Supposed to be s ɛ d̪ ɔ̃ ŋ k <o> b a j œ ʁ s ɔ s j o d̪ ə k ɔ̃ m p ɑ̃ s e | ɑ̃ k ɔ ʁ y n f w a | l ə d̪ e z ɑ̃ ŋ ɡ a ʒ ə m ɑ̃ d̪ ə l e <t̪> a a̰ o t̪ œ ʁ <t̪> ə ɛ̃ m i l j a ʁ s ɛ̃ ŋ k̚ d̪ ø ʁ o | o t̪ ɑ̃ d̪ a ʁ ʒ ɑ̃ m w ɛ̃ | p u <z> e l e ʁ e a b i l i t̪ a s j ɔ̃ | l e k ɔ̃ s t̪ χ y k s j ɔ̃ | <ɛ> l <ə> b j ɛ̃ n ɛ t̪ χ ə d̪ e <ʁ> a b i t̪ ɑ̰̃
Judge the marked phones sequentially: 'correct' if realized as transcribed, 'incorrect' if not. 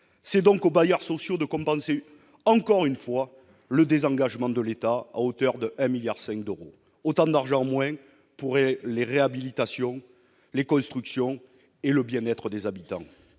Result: correct, correct, incorrect, incorrect, incorrect, correct, incorrect

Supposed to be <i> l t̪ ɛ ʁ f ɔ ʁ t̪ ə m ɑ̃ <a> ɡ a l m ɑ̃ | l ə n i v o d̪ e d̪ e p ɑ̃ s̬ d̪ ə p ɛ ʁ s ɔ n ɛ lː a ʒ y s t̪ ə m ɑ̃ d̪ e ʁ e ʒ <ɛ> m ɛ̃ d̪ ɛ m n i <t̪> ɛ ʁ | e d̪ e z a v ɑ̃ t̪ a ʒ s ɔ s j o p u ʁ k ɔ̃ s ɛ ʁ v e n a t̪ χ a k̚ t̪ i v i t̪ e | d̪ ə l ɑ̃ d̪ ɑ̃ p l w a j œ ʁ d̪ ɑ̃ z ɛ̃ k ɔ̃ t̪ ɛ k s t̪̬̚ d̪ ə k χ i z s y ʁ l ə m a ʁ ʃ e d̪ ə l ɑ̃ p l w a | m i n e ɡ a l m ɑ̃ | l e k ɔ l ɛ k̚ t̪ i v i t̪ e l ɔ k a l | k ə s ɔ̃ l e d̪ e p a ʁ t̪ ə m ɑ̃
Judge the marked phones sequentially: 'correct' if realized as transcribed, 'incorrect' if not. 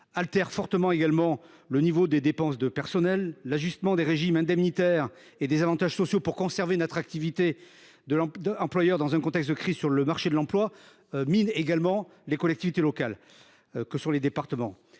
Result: incorrect, incorrect, incorrect, correct

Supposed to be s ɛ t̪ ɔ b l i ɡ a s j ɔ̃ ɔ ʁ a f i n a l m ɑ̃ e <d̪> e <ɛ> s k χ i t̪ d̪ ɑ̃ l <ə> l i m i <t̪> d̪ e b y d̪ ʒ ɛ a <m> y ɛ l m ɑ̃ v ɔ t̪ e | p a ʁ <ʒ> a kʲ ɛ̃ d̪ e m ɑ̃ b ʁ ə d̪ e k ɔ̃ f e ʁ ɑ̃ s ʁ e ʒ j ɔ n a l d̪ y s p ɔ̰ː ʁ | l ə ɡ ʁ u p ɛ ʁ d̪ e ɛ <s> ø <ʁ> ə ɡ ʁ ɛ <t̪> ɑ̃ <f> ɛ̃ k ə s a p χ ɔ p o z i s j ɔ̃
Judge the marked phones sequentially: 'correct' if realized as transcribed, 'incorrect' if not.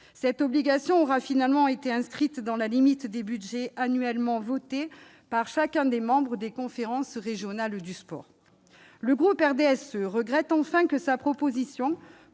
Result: incorrect, incorrect, incorrect, correct, incorrect, incorrect, correct, correct, correct, correct

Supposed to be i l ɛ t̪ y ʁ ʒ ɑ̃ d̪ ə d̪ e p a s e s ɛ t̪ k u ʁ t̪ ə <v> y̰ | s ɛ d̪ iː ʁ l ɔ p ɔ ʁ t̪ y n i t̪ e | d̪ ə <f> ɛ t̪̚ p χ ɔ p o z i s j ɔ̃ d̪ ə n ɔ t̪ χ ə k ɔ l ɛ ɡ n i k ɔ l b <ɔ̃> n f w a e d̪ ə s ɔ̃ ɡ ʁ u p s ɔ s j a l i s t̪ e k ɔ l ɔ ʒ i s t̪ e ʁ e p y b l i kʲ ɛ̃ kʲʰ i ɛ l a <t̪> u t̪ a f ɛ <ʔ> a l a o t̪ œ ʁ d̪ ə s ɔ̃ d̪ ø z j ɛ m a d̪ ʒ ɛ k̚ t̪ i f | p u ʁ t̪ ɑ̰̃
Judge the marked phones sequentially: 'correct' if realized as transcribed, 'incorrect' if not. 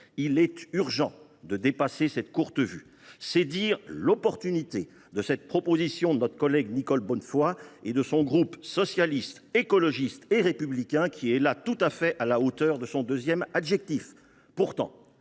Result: correct, incorrect, incorrect, correct, correct

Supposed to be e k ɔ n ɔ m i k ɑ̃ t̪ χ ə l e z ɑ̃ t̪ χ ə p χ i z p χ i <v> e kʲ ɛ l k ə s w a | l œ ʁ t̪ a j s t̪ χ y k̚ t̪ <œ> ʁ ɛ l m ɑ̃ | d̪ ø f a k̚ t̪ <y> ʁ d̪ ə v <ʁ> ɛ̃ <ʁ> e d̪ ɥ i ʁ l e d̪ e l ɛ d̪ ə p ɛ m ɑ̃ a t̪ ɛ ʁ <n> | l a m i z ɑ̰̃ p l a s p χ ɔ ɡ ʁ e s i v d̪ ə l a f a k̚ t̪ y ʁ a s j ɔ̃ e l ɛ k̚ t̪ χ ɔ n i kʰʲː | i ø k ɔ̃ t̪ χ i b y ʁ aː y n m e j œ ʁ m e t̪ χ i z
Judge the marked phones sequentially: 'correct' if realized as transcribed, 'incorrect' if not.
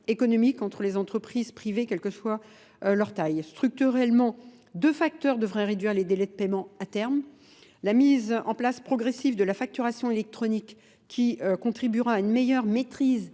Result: correct, incorrect, incorrect, correct, correct, incorrect

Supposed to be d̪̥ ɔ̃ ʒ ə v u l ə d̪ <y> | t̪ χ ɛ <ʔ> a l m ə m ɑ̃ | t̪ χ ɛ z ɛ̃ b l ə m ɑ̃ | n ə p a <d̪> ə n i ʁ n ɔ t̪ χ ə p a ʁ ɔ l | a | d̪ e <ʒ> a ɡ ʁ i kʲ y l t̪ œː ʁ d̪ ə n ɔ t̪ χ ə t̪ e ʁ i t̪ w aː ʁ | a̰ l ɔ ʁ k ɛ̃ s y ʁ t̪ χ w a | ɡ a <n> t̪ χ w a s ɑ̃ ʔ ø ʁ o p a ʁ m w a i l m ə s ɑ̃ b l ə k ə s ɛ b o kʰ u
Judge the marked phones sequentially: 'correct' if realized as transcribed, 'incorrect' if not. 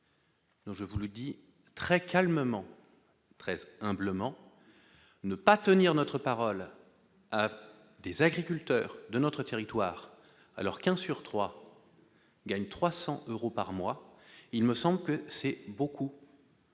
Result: incorrect, incorrect, incorrect, incorrect, incorrect

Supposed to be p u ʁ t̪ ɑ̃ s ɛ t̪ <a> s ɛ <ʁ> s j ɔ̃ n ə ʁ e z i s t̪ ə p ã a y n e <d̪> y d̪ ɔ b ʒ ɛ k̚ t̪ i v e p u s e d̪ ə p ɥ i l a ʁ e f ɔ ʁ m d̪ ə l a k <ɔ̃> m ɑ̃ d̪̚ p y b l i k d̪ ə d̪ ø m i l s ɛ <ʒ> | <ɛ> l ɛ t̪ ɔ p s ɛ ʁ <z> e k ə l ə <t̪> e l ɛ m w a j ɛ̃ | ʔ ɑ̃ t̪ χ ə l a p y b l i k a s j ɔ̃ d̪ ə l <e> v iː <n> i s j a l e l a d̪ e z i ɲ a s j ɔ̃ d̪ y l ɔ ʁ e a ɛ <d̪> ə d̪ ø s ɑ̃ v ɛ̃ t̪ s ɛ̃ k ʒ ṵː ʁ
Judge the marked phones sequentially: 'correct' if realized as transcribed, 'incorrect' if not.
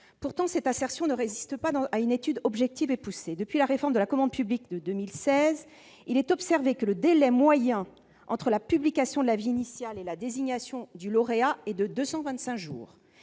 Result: correct, correct, incorrect, incorrect, incorrect, incorrect, incorrect, incorrect, incorrect, correct, correct

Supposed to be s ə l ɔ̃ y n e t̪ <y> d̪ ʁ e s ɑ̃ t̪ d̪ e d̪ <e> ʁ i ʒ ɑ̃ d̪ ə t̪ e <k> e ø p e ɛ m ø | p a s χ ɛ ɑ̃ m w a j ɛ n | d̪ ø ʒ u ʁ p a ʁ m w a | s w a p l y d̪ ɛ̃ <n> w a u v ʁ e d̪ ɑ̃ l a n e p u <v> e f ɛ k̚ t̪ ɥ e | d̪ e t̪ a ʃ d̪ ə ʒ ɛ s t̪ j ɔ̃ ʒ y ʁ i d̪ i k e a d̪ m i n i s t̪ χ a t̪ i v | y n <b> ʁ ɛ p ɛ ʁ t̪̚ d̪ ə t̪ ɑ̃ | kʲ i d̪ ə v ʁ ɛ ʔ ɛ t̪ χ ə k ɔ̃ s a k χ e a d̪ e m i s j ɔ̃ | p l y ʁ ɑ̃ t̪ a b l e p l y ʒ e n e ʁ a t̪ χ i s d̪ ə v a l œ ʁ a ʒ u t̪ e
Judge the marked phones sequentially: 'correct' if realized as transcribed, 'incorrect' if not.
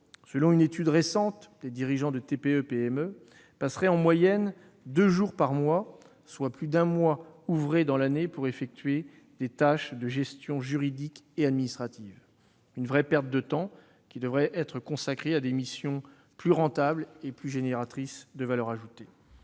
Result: correct, incorrect, incorrect, incorrect, incorrect, incorrect

